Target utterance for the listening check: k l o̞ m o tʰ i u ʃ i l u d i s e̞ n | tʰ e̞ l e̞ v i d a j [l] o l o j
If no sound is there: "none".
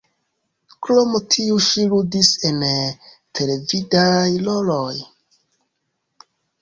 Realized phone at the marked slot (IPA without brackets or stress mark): l